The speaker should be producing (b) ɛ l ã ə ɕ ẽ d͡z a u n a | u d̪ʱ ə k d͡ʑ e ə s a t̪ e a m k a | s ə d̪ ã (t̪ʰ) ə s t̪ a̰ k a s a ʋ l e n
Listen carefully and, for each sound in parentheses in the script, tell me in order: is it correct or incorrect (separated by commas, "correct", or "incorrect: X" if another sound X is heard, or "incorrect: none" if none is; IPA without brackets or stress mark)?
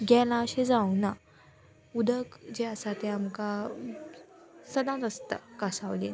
incorrect: ɡ, incorrect: t̪